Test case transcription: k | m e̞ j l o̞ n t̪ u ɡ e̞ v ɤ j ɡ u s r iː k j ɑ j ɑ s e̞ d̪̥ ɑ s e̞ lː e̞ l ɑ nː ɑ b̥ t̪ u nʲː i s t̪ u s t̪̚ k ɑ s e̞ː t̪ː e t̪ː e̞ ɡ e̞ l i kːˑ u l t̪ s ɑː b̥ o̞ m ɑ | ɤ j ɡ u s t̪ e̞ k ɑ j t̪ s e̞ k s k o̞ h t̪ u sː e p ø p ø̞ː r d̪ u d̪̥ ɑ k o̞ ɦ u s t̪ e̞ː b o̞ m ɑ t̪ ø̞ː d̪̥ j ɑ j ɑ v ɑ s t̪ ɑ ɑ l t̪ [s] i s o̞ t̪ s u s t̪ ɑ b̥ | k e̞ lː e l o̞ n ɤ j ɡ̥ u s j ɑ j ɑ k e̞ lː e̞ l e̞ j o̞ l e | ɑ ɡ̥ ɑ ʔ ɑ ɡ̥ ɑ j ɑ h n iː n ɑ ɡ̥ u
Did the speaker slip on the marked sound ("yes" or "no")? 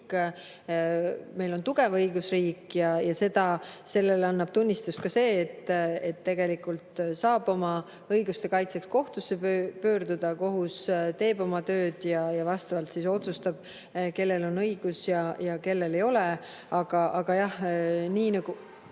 no